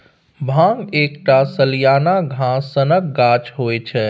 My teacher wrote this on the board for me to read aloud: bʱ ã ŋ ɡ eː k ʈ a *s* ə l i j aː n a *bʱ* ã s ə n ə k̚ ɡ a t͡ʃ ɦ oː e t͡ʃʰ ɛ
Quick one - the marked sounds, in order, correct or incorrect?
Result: correct, incorrect: ɡʱ

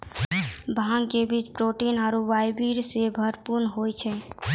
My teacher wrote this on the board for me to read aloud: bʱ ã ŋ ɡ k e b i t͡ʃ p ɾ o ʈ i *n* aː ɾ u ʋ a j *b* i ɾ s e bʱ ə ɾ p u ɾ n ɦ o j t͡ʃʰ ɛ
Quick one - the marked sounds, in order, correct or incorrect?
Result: correct, correct

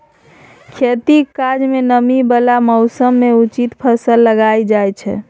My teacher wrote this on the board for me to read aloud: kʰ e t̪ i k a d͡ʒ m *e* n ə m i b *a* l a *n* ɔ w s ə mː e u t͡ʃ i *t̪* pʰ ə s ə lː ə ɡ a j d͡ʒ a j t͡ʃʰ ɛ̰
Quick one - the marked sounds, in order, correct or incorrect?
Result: correct, incorrect: ə, incorrect: m, correct

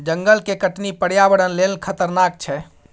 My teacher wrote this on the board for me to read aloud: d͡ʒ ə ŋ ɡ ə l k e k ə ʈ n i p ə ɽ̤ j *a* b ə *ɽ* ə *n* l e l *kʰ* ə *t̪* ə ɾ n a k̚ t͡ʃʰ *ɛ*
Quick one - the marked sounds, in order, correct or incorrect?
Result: correct, correct, correct, correct, correct, correct

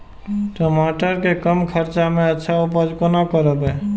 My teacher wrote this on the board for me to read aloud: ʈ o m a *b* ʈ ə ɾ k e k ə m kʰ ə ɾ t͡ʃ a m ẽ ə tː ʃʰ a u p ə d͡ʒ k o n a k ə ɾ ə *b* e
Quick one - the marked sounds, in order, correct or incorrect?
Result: incorrect: none, correct

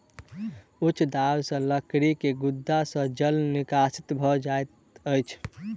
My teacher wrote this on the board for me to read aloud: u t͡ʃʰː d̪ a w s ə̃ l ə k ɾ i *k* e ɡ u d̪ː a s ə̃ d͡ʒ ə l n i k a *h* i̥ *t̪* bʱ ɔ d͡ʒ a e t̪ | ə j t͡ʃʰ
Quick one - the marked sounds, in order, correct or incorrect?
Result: correct, incorrect: s, correct

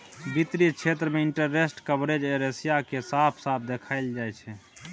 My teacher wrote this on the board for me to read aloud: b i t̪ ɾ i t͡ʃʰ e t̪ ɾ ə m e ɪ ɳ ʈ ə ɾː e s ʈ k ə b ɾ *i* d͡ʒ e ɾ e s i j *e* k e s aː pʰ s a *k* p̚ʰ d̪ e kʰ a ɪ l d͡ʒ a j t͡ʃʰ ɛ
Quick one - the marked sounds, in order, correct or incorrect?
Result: incorrect: e, incorrect: a, incorrect: none

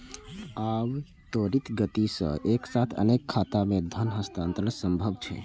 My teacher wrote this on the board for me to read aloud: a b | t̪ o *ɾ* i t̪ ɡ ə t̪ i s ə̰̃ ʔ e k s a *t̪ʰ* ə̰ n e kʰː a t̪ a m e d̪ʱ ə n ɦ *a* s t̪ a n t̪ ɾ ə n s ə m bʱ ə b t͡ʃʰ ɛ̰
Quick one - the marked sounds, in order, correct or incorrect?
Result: correct, correct, incorrect: ə

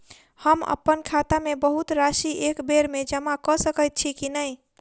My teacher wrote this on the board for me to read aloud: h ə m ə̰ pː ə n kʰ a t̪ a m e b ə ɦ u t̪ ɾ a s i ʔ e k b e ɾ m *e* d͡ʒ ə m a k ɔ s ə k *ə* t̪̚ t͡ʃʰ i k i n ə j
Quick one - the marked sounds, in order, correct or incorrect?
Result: correct, correct

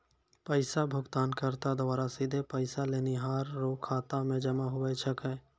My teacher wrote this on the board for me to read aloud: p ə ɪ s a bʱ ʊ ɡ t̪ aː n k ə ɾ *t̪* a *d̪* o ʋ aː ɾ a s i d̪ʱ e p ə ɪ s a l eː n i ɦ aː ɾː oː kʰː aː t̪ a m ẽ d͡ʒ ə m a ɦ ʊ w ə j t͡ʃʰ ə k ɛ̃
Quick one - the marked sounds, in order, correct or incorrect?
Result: correct, correct

